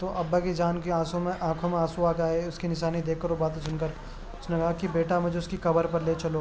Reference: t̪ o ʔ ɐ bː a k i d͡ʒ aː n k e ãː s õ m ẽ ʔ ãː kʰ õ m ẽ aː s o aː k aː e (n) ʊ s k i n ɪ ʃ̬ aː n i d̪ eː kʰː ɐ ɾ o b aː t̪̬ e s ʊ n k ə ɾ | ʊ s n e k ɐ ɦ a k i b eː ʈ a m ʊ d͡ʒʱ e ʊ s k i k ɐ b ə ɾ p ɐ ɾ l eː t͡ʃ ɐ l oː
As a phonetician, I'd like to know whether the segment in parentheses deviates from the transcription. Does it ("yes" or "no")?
yes